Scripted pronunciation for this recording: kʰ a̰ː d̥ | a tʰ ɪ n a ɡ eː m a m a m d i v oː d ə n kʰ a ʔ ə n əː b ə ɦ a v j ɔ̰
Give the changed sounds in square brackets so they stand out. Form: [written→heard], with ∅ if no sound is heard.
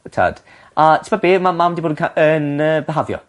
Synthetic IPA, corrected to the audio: [kʰ→tʰ] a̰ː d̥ | a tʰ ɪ [n→m] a [ɡ→b] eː m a m a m d i [v→b] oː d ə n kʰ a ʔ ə n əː b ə ɦ a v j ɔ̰